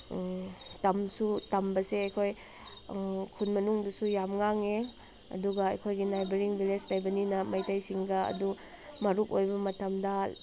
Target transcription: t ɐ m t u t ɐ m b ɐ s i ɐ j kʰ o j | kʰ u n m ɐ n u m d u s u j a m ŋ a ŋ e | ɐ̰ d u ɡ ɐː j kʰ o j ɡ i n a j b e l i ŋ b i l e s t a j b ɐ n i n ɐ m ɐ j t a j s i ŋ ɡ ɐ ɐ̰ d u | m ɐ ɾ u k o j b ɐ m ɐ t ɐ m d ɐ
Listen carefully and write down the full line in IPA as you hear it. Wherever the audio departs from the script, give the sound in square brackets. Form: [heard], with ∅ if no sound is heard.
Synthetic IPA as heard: t ɐ m [s] u t ɐ m b ɐ s [e] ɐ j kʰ o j | kʰ u n m ɐ n u [ŋ] d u s u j a m ŋ a ŋ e | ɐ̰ d u ɡ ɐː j kʰ o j ɡ i n a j b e [ɾ] i ŋ b i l e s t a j b ɐ n i n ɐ m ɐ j t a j s i ŋ ɡ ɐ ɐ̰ d u | m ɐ ɾ u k o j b ɐ m ɐ t ɐ m d ɐ